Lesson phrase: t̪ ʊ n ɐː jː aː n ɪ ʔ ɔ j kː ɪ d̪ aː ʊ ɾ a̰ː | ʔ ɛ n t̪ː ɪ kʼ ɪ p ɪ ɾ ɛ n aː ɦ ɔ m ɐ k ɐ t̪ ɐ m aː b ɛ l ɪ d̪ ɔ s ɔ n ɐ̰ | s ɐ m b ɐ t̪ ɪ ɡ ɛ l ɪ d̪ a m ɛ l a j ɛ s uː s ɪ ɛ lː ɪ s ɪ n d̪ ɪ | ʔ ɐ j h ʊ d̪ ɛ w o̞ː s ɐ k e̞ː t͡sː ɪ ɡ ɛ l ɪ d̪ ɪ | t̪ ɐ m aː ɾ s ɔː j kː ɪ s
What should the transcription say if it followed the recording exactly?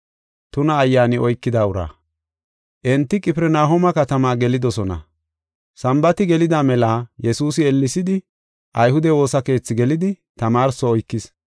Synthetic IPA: t̪ ʊ n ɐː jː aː n ɪ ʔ ɔ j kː ɪ d̪ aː ʊ ɾ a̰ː | ʔ ɛ n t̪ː ɪ kʼ ɪ p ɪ ɾ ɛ n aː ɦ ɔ m ɐ k ɐ t̪ ɐ m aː ɡ ɛ l ɪ d̪ ɔ s ɔ n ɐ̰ | s ɐ m b ɐ t̪ ɪ ɡ ɛ l ɪ d̪ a m ɛ l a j ɛ s uː s ɪ ɛ lː ɪ s ɪ d̪ ɪ | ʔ ɐ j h ʊ d̪ ɛ w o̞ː s ɐ k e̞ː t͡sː ɪ ɡ ɛ l ɪ d̪ ɪ | t̪ ɐ m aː ɾ s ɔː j kː ɪ s